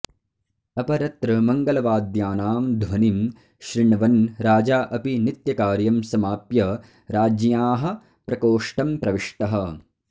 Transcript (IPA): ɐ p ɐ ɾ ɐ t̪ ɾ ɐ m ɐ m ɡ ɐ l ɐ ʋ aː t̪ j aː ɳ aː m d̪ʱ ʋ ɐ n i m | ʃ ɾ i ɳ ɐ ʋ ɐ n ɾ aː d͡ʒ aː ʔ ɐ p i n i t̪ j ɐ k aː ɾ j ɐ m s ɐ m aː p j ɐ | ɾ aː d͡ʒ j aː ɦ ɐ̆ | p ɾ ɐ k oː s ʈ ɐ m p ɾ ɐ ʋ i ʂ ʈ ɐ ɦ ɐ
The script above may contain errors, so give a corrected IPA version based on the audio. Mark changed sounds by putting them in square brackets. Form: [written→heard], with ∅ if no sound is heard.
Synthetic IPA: ɐ p ɐ ɾ ɐ t̪ ɾ ɐ m ɐ [m→ŋ] ɡ ɐ l ɐ ʋ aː [t̪→d̪] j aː [ɳ→n] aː m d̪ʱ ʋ ɐ n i m | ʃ ɾ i ɳ ɐ ʋ ɐ n ɾ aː d͡ʒ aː ʔ ɐ p i n i t̪ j ɐ k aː ɾ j ɐ m s ɐ m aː p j ɐ | ɾ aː d͡ʒ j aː ɦ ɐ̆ | p ɾ ɐ k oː [s→ʂ] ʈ ɐ m p ɾ ɐ ʋ i ʂ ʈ ɐ ɦ ɐ